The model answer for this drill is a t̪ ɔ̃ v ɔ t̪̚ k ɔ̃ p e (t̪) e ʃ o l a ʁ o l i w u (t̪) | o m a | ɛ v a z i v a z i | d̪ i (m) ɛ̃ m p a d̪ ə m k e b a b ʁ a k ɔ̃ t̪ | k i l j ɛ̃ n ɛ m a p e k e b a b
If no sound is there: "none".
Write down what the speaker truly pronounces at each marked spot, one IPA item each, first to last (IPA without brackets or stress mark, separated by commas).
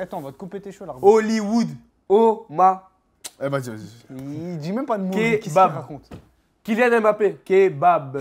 t̪, d̪, m